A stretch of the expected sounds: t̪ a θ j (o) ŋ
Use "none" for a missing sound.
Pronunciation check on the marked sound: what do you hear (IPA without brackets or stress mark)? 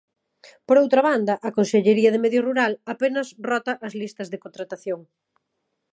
o